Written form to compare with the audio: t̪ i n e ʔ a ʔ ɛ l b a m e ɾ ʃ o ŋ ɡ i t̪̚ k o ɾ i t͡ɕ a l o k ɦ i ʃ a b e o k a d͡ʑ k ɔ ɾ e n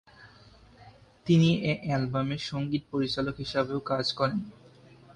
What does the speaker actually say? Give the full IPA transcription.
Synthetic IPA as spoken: t̪ i n i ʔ e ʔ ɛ l b a m e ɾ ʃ o ŋ ɡ i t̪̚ p o ɾ i t͡ɕ a l o k ɦ i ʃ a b e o k a d͡ʑ k ɔ ɾ e n